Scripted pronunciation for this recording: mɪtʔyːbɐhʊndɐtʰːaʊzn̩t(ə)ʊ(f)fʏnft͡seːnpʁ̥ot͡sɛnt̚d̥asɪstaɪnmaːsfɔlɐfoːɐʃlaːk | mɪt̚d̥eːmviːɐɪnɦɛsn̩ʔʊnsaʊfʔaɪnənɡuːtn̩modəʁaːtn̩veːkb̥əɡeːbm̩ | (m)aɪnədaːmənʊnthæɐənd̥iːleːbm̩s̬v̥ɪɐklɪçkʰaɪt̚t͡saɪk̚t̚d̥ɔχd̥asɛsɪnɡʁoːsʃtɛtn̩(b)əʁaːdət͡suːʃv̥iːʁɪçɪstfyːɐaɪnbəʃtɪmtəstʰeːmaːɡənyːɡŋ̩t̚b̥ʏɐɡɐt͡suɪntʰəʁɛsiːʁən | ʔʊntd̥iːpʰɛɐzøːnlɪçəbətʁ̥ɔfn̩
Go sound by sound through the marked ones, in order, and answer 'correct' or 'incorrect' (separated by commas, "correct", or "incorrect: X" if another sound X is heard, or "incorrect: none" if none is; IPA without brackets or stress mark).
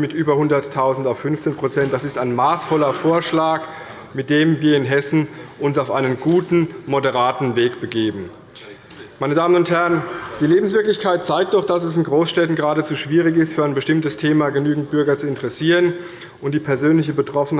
incorrect: a, correct, correct, incorrect: ɡ